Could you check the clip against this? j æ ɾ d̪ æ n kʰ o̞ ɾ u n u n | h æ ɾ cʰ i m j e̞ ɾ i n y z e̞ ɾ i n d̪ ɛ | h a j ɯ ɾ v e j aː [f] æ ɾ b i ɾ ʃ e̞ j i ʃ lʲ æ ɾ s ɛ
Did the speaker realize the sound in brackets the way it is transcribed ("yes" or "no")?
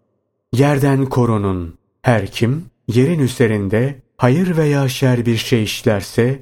no